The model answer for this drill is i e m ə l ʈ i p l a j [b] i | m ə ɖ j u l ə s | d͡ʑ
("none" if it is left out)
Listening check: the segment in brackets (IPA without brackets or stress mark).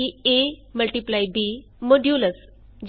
b